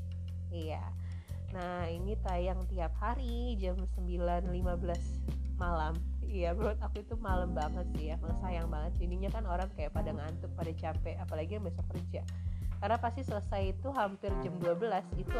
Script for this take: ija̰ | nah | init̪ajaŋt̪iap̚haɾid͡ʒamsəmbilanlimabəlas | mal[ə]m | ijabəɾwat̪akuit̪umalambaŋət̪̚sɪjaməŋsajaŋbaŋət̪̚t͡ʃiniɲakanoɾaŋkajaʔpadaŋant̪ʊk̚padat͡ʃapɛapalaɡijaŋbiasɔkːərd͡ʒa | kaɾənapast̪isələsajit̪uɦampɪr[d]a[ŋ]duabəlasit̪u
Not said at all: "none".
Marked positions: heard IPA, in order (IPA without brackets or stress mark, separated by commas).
a, d͡ʒ, m